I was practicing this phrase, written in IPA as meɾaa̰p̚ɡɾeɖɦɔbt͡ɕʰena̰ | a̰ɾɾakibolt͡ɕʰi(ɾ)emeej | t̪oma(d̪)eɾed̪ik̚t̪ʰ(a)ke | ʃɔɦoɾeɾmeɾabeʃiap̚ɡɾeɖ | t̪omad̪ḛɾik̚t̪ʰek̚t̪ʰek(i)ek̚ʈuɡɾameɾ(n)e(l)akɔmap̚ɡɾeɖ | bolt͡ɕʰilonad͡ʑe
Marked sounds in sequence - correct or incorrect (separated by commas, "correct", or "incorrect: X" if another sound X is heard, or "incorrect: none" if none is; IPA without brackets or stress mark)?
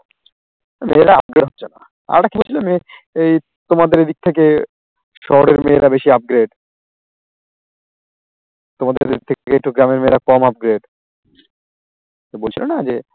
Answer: incorrect: l, correct, incorrect: e, incorrect: e, incorrect: m, incorrect: ɾ